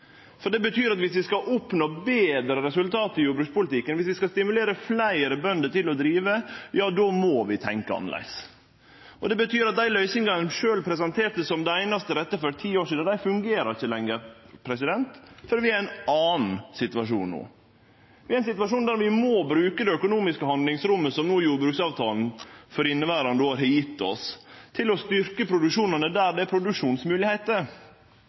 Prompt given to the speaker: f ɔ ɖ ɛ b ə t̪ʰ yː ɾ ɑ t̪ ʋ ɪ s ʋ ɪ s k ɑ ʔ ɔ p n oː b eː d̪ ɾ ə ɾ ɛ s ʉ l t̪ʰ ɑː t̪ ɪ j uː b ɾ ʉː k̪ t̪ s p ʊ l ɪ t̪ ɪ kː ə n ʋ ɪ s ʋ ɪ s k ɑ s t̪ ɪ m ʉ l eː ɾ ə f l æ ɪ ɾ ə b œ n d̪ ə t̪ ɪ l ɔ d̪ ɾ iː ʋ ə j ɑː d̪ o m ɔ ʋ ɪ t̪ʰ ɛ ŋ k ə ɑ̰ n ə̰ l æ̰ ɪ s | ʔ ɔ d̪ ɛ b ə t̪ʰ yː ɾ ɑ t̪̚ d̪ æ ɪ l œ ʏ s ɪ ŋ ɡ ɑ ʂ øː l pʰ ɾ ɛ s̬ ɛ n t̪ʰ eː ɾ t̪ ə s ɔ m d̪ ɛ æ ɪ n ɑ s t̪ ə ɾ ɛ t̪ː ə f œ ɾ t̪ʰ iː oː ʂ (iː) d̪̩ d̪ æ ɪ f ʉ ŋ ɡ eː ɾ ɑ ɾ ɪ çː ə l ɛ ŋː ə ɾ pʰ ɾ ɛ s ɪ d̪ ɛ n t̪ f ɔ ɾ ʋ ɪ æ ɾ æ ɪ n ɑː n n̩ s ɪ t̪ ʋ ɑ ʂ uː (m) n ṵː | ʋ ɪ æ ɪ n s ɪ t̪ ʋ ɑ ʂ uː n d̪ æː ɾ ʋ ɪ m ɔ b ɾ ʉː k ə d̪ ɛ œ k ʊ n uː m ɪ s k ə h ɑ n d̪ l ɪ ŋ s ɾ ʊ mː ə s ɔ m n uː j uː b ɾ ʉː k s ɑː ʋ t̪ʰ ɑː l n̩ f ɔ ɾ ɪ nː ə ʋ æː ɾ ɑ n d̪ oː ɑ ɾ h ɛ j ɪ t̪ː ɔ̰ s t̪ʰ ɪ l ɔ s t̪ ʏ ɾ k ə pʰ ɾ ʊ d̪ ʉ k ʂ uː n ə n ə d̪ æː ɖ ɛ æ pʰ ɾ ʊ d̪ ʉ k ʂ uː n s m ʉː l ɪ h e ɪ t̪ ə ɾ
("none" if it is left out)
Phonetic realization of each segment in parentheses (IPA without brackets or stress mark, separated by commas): iː, n